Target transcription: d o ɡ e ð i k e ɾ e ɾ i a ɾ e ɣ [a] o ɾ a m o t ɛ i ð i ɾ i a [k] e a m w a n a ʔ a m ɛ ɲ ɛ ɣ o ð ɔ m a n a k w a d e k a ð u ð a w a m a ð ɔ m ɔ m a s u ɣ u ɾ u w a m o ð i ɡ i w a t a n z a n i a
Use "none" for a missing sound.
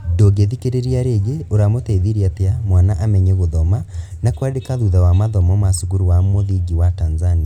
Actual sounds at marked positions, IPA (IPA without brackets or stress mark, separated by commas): e, t